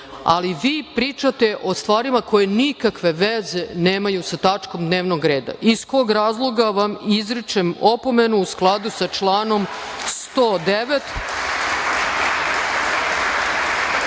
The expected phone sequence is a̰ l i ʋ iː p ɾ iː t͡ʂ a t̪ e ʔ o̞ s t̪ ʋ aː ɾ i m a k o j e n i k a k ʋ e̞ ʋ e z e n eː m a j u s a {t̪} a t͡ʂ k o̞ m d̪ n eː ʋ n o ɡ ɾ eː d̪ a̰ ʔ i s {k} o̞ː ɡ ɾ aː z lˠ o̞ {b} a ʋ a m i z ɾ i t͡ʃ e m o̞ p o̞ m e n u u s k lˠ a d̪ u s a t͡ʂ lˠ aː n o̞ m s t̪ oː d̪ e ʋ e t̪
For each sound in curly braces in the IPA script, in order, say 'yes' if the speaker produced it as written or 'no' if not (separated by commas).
yes, yes, no